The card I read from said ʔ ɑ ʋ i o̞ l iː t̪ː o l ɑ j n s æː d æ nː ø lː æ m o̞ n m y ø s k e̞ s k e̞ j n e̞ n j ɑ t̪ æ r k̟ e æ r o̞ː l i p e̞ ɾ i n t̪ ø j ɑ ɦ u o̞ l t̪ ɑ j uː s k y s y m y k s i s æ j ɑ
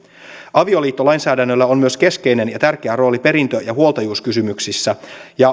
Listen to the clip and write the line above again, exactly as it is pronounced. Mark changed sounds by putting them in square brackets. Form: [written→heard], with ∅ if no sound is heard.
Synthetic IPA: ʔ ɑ ʋ i o̞ l iː t̪ː o l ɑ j n s æː d æ nː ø lː æ [m→∅] o̞ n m y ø s k e̞ s k e̞ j n e̞ n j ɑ t̪ æ r k̟ e æ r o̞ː l i p e̞ ɾ i n t̪ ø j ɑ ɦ u o̞ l t̪ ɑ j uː s k y s y m y k s i [s→sː] æ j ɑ